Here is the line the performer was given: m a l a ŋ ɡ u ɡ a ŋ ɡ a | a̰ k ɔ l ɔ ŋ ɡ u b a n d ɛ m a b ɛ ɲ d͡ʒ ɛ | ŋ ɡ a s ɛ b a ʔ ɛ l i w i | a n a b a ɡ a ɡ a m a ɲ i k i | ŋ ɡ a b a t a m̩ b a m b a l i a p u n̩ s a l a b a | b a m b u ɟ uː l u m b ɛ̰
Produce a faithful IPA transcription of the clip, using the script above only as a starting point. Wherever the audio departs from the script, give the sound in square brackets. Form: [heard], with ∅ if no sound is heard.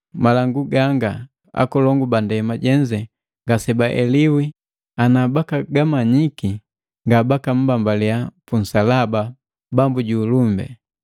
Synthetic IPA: m a l a ŋ ɡ u ɡ a ŋ ɡ a | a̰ k ɔ l ɔ ŋ ɡ u b a n d ɛ m a [ɟ] ɛ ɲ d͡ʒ ɛ | ŋ ɡ a s ɛ b a ʔ ɛ l i w i | a n a b a [k] a ɡ a m a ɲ i k i | ŋ ɡ a b a [k] a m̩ b a m b a l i a p u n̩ s a l a b a | b a m b u ɟ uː l u m b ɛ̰

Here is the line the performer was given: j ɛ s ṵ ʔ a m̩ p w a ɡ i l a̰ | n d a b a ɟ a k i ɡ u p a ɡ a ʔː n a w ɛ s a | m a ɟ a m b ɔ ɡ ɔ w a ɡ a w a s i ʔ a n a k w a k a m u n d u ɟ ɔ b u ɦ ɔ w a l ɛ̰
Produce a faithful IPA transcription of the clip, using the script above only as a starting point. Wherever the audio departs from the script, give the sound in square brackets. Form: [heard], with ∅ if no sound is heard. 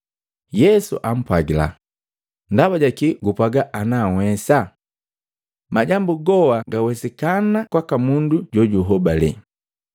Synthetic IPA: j ɛ s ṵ ʔ a m̩ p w a ɡ i l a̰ | n d a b a ɟ a k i ɡ u p a ɡ a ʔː n a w ɛ s a | m a ɟ a m b [u] ɡ ɔ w a ɡ a w [ɛ] s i [k] a n a k w a k a m u n d u ɟ ɔ [ɟ] u ɦ ɔ [b] a l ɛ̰

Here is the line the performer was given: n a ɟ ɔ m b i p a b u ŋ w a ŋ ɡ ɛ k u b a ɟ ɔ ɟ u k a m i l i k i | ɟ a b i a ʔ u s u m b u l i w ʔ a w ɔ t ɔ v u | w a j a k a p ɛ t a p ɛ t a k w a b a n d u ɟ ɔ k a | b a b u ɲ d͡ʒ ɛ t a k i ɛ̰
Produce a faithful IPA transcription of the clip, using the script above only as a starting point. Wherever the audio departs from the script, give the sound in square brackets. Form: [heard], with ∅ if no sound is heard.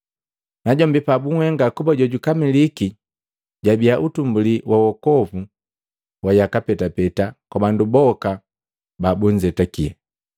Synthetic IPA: n a ɟ ɔ m b i p a b u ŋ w [ɛ] ŋ ɡ [a] k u b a ɟ ɔ ɟ u k a m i l i k i | ɟ a b i a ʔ u [t] u m b u l i w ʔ a w ɔ [k] ɔ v u | w a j a k a p ɛ t a p ɛ t a k w a b a n d u [b] ɔ k a | b a b u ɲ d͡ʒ ɛ t a k i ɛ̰

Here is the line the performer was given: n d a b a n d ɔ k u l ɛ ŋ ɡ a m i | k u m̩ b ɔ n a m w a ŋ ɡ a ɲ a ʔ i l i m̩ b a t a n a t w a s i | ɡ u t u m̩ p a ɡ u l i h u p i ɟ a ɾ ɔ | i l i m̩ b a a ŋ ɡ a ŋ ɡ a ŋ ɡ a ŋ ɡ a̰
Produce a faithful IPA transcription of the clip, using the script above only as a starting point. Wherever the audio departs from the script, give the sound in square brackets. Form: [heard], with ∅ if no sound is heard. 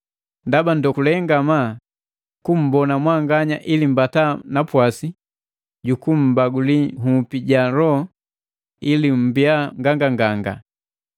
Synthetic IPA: n d a b a n d ɔ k u l ɛ ŋ ɡ a m [a] | k u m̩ b ɔ n a m w a ŋ ɡ a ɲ a ʔ i l i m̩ b a t a n a [p] w a s i | [ɟ] u [k] u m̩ [b] a ɡ u l i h u p i ɟ a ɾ ɔ | i l i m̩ b [i] a ŋ ɡ a ŋ ɡ a ŋ ɡ a ŋ ɡ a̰

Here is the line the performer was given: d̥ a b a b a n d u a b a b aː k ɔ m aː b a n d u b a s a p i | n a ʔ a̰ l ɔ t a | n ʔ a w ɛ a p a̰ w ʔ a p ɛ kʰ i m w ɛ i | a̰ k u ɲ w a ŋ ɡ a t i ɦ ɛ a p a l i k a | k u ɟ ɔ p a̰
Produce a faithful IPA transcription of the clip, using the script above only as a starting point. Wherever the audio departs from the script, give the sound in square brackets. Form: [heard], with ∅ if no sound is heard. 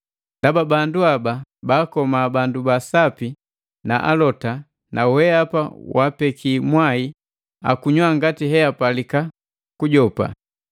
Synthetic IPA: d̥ a b a b a n d u a b a b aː k ɔ m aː b a n d u b a s a p i | n a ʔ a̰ l ɔ t a | n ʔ a w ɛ a p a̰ w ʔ a p ɛ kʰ i m w [a] i | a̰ k u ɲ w a ŋ ɡ a t i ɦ ɛ a p a l i k a | k u ɟ ɔ p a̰

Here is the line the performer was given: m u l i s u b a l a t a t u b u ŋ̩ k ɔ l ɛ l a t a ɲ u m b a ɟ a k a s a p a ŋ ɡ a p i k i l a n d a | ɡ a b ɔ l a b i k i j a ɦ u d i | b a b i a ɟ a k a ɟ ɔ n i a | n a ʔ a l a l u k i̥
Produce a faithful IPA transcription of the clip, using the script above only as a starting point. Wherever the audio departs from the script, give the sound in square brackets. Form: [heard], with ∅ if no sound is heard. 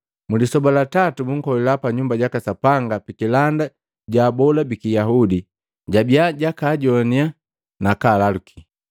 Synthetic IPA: m u l i s [ɔ] b a l a t a t u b u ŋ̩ k ɔ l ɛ l a [p] a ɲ u m b a ɟ a k a s a p a ŋ ɡ a p i k i l a n d a | [ɟ] a b ɔ l a b i k i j a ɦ u d i | [ɟ] a b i a ɟ a k a ɟ ɔ n i a | n a [k] a l a l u k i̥

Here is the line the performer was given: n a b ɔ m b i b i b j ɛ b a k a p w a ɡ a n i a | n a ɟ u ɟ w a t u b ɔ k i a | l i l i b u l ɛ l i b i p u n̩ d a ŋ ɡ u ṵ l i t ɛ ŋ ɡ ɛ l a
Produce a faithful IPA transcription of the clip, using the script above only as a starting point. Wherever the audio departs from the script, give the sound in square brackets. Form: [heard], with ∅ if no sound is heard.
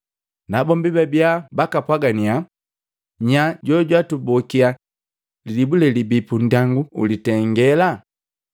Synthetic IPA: n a b ɔ m b i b [ɛ] b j [a] b a k a p w a ɡ a n i a | [ɲ] a ɟ [ɔ] ɟ w a t u b ɔ k i a | l i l i b u l ɛ l i b i p u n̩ d a ŋ ɡ u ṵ l i t ɛ ŋ ɡ ɛ l a

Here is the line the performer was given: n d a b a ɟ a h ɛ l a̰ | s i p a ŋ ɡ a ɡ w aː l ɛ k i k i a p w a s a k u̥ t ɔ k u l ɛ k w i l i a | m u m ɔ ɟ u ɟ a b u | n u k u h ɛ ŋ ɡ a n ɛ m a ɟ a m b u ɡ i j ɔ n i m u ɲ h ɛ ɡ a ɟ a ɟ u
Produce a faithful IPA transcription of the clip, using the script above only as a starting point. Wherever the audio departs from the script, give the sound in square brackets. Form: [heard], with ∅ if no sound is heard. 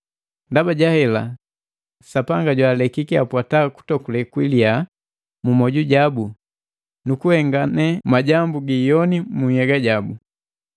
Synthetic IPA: n d a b a ɟ a h ɛ l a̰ | s [a] p a ŋ ɡ a [ɟ] w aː l ɛ k i k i a p w a [t] a k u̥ t ɔ k u l ɛ k w i l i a | m u m ɔ ɟ u ɟ a b u | n u k u h ɛ ŋ ɡ a n ɛ m a ɟ a m b u ɡ i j ɔ n i m u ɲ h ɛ ɡ a ɟ a [b] u

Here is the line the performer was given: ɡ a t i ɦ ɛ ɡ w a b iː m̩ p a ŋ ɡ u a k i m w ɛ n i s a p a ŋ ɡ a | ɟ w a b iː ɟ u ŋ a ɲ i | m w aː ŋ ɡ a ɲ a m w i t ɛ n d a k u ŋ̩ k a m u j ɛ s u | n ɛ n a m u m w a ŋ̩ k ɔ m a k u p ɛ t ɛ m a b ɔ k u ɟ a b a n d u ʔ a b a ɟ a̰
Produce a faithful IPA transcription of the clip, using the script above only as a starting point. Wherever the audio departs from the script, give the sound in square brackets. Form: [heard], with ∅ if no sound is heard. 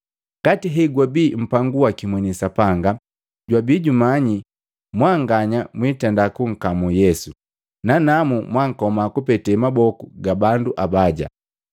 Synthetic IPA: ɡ a t i ɦ ɛ ɡ w a b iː m̩ p a ŋ ɡ u a k i m w ɛ n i s a p a ŋ ɡ a | ɟ w a b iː ɟ u [m] a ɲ i | m w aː ŋ ɡ a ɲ a m w i t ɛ n d a k u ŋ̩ k a m u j ɛ s u | n [a] n a m u m w a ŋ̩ k ɔ m a k u p ɛ t ɛ m a b ɔ k u [ɡ] a b a n d u ʔ a b a ɟ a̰

